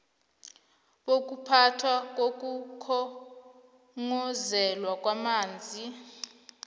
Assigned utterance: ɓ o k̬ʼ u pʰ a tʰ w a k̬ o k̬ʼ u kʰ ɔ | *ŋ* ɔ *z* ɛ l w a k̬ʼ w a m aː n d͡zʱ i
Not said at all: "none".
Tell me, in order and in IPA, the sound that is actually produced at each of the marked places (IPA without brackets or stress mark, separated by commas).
ŋ, z